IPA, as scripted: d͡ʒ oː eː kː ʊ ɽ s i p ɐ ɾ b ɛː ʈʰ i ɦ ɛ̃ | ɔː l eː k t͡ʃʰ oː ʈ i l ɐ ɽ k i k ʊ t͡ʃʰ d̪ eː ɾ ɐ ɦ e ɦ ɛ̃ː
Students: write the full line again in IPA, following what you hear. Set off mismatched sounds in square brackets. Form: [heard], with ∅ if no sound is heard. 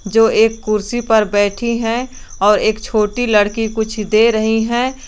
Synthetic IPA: d͡ʒ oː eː kː ʊ [ɾ] s i p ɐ ɾ b ɛː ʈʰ i ɦ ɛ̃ | ɔː [ɾ] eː k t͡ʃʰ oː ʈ i l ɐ ɽ k i k ʊ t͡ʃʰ d̪ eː ɾ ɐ ɦ [i] ɦ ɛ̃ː

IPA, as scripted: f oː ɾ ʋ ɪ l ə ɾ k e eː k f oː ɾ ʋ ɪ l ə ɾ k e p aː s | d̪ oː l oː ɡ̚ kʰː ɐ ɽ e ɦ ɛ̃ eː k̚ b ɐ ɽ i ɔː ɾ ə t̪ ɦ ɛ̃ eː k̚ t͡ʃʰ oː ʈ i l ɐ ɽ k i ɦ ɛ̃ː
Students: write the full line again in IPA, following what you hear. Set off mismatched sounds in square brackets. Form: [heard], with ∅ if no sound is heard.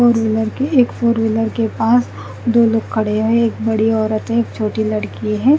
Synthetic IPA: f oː ɾ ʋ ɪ l ə ɾ k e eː k f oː ɾ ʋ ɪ l ə ɾ k e p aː s | d̪ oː l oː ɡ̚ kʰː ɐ ɽ e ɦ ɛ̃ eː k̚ b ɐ ɽ i ɔː ɾ ə t̪ ɦ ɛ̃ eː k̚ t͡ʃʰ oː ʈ i l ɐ ɽ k i ɦ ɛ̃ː

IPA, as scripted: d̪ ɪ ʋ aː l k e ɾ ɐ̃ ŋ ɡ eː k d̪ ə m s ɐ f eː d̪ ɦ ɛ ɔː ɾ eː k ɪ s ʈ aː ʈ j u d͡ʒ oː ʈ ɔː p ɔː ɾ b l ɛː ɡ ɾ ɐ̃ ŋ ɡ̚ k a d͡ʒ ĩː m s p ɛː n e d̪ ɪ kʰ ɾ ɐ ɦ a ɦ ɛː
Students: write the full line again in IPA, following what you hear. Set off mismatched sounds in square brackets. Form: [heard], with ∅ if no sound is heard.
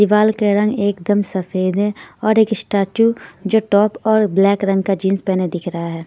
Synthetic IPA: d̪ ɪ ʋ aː l k e ɾ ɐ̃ ŋ ɡ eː k d̪ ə m s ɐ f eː d̪ ɦ ɛ ɔː ɾ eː k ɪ s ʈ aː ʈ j u d͡ʒ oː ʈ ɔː p ɔː ɾ b l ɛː [k] ɾ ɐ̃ ŋ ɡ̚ k a d͡ʒ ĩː [n] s p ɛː n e d̪ ɪ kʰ ɾ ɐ ɦ a ɦ ɛː

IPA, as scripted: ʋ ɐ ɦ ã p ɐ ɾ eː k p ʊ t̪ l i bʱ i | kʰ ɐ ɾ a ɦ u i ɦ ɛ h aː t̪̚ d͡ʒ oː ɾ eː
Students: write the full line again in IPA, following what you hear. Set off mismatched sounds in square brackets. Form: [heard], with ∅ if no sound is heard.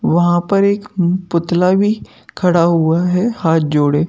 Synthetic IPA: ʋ ɐ ɦ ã p ɐ ɾ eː k p ʊ t̪ l [a] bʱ i | kʰ ɐ [ɽ] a ɦ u [a] ɦ ɛ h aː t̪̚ d͡ʒ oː [ɽ] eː

